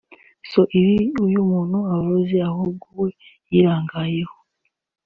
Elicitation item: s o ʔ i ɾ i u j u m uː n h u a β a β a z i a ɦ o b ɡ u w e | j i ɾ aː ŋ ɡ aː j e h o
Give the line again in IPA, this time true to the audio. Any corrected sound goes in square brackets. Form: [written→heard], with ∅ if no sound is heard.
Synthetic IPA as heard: s o ʔ i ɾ i u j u m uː n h u a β a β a z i a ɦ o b ɡ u w e | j i ɾ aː ŋ ɡ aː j e h o